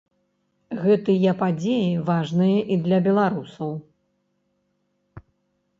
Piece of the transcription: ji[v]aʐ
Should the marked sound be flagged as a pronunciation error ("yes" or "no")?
no